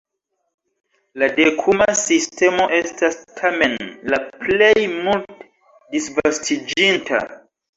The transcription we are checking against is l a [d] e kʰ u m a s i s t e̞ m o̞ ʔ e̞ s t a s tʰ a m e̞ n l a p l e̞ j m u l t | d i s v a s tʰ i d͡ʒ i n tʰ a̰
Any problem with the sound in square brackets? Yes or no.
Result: no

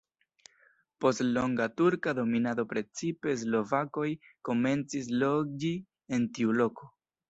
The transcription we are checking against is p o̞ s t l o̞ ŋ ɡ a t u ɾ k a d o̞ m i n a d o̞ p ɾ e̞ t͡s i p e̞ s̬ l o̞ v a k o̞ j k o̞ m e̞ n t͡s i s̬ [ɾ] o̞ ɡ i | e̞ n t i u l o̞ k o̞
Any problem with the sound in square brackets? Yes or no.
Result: yes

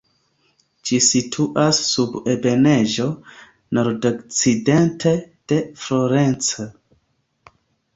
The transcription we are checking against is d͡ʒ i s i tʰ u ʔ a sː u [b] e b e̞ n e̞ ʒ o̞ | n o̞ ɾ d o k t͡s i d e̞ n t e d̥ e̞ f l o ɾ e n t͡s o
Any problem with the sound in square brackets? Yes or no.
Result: no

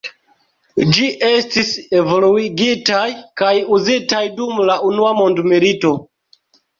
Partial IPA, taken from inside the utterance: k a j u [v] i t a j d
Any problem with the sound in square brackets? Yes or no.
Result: yes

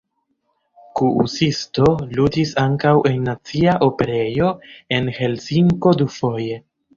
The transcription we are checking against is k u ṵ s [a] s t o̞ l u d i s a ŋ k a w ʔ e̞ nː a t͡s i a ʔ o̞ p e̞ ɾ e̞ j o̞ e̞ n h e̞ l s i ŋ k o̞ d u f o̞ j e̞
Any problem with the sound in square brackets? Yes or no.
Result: yes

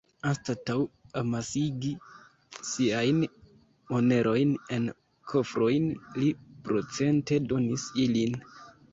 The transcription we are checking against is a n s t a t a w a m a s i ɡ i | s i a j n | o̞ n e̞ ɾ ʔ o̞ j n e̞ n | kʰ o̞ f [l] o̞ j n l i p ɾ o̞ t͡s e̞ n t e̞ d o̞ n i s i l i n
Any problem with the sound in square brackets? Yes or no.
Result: yes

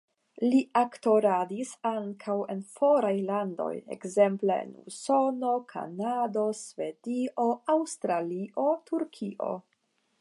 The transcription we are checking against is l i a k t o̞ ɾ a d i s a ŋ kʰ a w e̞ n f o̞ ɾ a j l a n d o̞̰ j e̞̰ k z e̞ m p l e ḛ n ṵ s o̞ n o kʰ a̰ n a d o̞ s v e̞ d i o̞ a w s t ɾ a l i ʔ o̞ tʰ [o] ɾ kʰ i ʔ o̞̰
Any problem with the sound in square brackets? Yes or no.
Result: yes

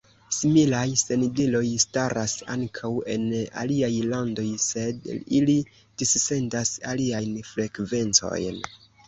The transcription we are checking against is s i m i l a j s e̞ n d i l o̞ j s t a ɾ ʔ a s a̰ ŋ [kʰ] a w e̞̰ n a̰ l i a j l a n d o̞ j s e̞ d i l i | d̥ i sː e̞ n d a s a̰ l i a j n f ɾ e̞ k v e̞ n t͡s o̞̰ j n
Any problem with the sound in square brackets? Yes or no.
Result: no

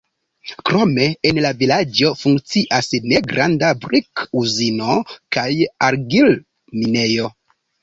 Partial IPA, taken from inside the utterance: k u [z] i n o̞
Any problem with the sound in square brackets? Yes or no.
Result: no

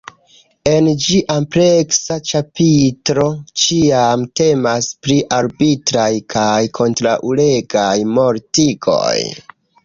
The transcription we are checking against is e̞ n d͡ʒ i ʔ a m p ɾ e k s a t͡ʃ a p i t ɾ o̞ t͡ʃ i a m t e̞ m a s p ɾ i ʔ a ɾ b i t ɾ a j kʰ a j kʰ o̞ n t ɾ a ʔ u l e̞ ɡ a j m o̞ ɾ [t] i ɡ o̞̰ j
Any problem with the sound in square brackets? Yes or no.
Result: no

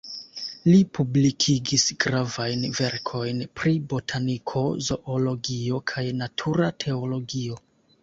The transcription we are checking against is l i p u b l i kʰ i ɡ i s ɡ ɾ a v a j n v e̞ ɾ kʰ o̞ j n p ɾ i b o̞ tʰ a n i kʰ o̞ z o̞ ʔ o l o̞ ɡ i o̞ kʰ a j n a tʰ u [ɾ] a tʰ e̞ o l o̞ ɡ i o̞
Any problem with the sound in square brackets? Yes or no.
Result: no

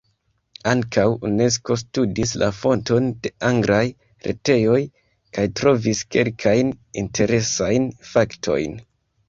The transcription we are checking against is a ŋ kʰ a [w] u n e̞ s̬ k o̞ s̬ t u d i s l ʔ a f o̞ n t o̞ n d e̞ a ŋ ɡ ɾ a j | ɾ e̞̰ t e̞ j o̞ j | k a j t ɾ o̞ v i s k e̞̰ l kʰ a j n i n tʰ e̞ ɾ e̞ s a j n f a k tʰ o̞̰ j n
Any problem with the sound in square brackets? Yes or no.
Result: no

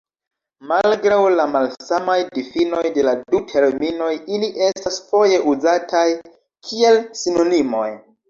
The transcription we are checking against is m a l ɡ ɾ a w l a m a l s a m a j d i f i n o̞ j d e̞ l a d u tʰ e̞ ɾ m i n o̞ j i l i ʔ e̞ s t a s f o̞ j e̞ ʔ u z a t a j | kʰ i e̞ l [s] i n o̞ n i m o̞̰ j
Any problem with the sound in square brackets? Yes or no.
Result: no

